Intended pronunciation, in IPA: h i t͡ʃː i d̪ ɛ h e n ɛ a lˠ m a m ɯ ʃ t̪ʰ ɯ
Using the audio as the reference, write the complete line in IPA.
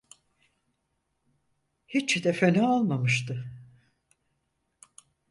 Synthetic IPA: h i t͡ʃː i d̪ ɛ f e n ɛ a lˠ m a m ɯ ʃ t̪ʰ ɯ